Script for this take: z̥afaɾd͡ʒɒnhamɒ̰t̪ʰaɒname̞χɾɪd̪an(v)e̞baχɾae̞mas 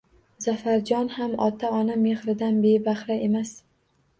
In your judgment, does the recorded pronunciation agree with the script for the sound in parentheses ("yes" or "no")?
no